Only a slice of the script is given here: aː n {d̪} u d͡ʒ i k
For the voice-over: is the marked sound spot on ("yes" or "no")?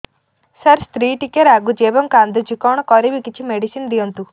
yes